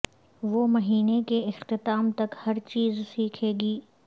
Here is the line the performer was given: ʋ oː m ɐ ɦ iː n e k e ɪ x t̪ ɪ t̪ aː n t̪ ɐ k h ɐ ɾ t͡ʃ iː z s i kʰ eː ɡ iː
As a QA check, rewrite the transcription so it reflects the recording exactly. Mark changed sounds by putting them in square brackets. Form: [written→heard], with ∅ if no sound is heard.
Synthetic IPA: ʋ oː m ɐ ɦ iː n e k e ɪ x t̪ ɪ t̪ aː [n→m] t̪ ɐ k h ɐ ɾ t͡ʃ iː z s [i→iː] kʰ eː ɡ iː

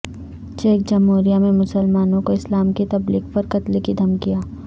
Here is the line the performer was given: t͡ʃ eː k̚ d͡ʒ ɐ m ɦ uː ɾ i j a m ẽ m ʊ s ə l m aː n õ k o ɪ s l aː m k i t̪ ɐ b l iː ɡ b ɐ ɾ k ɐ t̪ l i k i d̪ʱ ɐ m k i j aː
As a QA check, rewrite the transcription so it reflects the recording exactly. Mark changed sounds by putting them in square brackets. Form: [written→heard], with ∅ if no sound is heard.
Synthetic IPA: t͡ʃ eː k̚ d͡ʒ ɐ m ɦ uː ɾ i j a m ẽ m ʊ s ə l m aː n õ k o ɪ s l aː m k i t̪ ɐ b l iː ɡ [b→p] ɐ ɾ k ɐ t̪ l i k i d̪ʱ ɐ m k i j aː

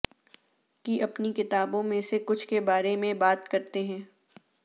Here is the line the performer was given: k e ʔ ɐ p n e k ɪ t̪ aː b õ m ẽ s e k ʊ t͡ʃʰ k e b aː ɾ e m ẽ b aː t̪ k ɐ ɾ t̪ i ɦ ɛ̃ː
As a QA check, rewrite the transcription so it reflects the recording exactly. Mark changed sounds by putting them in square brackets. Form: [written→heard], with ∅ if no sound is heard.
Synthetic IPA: k [e→i] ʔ ɐ p n [e→i] k ɪ t̪ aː b õ m ẽ s e k ʊ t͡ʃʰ k e b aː ɾ e m ẽ b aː t̪ k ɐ ɾ t̪ [i→e] ɦ ɛ̃ː

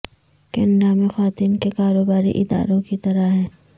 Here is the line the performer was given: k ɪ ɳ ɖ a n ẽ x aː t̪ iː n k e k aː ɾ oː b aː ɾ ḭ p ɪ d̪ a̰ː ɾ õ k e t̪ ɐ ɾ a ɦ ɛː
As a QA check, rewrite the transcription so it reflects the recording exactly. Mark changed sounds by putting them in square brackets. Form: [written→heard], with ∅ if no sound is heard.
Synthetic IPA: k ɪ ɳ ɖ a [n→m] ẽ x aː t̪ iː n k e k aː ɾ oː b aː ɾ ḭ [p→ʔ] ɪ d̪ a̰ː ɾ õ k [e→i] t̪ ɐ ɾ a ɦ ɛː

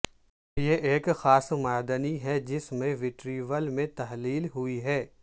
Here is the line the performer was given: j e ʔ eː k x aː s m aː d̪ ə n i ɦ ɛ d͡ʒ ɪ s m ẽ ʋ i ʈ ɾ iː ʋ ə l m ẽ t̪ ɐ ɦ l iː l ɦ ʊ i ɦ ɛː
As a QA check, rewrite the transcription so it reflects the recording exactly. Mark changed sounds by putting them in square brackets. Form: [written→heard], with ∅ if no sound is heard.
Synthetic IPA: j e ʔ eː k x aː s m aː d̪ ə n i ɦ ɛ d͡ʒ ɪ s m ẽ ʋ [i→ɪ] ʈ ɾ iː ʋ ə l m ẽ t̪ ɐ ɦ l iː l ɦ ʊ i ɦ ɛː

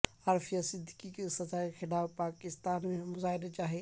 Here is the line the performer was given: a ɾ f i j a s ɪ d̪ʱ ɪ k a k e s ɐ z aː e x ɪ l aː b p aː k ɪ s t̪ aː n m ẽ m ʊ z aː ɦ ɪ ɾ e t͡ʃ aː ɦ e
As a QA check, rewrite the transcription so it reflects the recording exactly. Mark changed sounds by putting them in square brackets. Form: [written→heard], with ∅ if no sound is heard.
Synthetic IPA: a ɾ f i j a s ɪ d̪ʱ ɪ k [a→i] k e s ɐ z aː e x ɪ l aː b p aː k ɪ s t̪ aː n m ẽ m ʊ z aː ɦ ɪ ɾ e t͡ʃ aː ɦ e

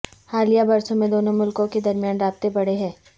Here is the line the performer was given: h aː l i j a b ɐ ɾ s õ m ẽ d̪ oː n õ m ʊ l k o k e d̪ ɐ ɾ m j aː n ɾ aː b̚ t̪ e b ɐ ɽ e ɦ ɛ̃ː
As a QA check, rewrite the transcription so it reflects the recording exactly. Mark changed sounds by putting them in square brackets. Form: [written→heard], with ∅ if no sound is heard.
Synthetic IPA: h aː l i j a b ɐ ɾ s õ m ẽ d̪ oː n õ m ʊ l k [o→õ] k e d̪ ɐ ɾ m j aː n ɾ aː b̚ t̪ e b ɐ ɽ e ɦ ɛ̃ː

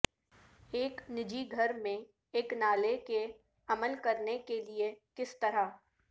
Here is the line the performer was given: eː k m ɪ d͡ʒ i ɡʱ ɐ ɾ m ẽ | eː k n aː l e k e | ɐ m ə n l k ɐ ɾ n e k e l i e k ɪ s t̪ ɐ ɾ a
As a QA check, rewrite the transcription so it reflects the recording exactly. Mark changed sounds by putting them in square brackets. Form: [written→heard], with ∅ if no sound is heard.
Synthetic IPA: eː k [m→n] ɪ d͡ʒ i ɡʱ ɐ ɾ m ẽ | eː k n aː l e k e | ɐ m ə [n→∅] l k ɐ ɾ n e k e l i e k ɪ s t̪ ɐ ɾ a

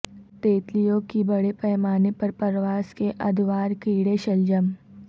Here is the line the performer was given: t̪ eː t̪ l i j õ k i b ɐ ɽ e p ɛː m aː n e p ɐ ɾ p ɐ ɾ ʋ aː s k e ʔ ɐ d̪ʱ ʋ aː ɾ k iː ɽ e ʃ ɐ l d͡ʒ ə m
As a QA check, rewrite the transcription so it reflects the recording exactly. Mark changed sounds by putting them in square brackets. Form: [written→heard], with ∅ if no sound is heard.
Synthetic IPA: t̪ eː t̪ l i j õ k i b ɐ ɽ e p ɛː m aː n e p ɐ ɾ p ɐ ɾ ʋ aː s k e ʔ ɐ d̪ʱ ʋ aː ɾ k iː ɽ e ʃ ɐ l d͡ʒ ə m

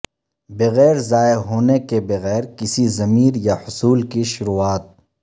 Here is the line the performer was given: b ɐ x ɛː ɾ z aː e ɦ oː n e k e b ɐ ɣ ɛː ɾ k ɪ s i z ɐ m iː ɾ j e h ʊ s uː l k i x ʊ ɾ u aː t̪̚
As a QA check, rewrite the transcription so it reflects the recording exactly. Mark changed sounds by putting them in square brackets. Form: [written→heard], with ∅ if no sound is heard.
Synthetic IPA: b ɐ [x→ɣ] ɛː ɾ z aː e ɦ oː n e k e b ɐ ɣ ɛː ɾ k ɪ s i z ɐ m iː ɾ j [e→a] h ʊ s uː l k i [x→ʃ] ʊ ɾ u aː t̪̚

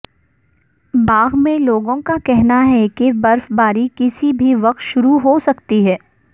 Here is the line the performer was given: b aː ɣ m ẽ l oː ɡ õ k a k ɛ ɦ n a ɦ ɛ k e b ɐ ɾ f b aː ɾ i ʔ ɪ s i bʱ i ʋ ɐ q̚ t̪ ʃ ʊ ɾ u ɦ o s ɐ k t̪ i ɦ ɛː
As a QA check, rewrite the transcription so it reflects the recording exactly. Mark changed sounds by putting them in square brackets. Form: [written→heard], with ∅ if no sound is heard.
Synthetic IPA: b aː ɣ m ẽ l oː ɡ õ k a k ɛ ɦ n a ɦ ɛ k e b ɐ ɾ f b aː ɾ i [ʔ→k] ɪ s i bʱ i ʋ ɐ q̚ t̪ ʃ ʊ ɾ u ɦ o s ɐ k t̪ i ɦ ɛː

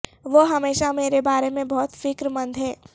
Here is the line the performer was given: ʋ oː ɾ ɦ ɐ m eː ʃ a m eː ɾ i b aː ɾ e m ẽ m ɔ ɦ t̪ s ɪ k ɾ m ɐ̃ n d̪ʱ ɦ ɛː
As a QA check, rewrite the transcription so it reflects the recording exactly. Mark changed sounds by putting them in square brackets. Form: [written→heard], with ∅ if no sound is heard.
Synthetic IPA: ʋ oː [ɾ→∅] ɦ ɐ m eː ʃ a m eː ɾ [i→e] b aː ɾ e m ẽ [m→b] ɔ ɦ t̪ [s→f] ɪ k ɾ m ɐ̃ n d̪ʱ ɦ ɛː

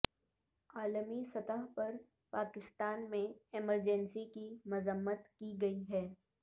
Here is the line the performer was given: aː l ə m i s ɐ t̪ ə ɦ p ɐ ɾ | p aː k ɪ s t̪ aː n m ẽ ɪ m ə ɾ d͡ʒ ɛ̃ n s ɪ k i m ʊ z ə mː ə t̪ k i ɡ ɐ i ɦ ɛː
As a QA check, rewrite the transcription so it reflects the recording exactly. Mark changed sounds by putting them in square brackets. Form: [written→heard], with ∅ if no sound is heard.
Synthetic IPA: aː l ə m i s ɐ t̪ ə ɦ p ɐ ɾ | p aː k ɪ s t̪ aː n m ẽ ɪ m ə ɾ d͡ʒ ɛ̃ n s [ɪ→i] k i m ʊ z ə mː ə t̪ k i ɡ ɐ i ɦ ɛː

